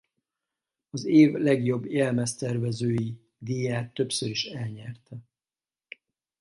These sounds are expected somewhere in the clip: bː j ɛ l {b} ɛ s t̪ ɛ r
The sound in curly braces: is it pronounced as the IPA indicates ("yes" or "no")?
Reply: no